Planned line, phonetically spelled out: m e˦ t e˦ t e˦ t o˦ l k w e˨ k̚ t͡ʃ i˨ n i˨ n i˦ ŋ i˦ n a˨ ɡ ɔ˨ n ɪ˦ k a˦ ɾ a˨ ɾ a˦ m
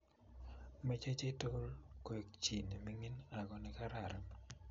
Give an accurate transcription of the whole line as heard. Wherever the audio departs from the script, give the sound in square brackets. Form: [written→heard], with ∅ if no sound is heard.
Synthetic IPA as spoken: m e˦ [t→t͡ʃ] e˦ [t→t͡ʃ] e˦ t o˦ l k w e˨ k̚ t͡ʃ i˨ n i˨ [n→m] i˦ ŋ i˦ n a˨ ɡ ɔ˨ n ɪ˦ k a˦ ɾ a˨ ɾ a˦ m